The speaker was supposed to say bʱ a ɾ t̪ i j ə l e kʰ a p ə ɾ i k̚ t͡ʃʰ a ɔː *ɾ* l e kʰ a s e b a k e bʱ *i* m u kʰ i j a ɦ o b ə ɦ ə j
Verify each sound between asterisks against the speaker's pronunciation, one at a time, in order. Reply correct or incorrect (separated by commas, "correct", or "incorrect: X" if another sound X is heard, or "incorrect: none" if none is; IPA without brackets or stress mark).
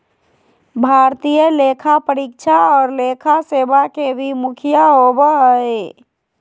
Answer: correct, correct